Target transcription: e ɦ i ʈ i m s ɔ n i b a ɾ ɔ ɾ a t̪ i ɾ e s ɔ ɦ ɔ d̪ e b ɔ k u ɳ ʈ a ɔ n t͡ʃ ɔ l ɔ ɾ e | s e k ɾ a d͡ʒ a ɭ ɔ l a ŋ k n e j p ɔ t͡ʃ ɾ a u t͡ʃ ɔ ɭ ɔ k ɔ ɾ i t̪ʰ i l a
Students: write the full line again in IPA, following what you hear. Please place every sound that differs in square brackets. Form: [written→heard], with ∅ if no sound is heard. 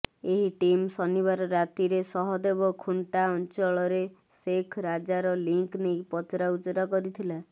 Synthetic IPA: e ɦ i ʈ i m s ɔ n i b a ɾ ɔ ɾ a t̪ i ɾ e s ɔ ɦ ɔ d̪ e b ɔ [k→kʰ] u ɳ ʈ a ɔ n t͡ʃ ɔ [l→ɭ] ɔ ɾ e | s e [k→kʰ] ɾ a d͡ʒ a [ɭ→ɾ] ɔ l [a→i] ŋ k n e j p ɔ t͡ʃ ɾ a u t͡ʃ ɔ [ɭ→ɾ] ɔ k ɔ ɾ i t̪ʰ i l a